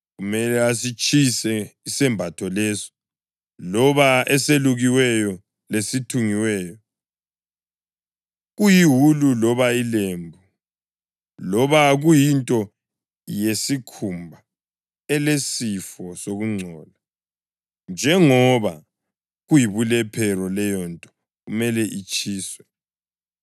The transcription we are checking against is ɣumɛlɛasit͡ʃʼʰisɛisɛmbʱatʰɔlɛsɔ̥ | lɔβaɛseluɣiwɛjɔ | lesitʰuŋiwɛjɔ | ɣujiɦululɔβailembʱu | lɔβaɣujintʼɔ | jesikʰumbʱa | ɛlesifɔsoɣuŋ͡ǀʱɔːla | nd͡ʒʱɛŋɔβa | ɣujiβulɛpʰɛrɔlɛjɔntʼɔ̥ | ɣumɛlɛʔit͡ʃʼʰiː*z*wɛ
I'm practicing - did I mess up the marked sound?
yes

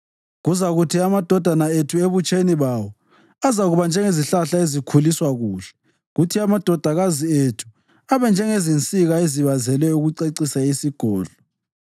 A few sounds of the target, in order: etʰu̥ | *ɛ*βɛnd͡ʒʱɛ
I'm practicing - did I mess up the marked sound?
yes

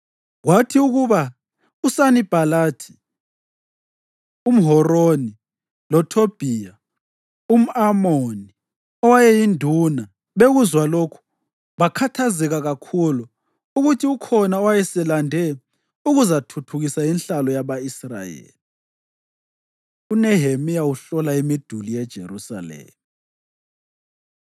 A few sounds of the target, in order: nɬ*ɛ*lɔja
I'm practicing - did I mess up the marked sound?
yes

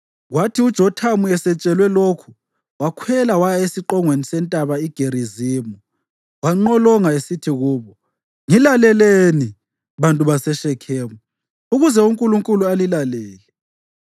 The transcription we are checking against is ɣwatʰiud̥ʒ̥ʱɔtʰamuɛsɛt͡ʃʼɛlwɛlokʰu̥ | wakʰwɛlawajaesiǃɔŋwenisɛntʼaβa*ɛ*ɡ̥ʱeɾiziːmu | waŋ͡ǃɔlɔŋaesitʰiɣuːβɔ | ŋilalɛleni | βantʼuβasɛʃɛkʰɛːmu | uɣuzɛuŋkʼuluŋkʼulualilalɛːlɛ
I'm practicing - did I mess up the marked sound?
yes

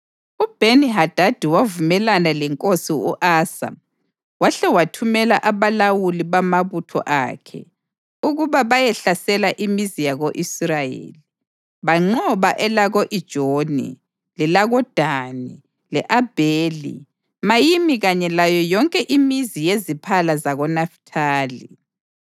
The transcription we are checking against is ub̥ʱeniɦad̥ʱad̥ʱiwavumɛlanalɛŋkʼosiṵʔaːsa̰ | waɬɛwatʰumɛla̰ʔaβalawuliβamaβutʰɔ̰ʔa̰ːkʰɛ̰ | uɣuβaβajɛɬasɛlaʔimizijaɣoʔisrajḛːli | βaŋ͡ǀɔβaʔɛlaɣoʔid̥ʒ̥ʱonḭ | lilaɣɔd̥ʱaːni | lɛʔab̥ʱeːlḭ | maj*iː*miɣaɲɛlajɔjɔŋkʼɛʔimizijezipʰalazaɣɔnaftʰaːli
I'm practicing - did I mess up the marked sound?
yes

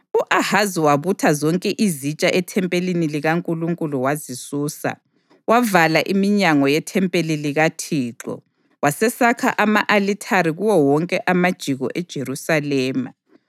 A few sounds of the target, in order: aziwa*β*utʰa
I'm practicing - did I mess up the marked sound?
no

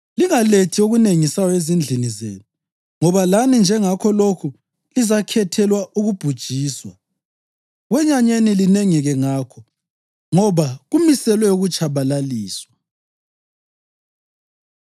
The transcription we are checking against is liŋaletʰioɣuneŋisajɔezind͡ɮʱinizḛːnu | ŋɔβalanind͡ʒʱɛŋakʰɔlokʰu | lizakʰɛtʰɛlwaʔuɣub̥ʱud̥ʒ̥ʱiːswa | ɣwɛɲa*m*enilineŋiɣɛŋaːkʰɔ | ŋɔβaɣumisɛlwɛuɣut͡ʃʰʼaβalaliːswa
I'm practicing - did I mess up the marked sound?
yes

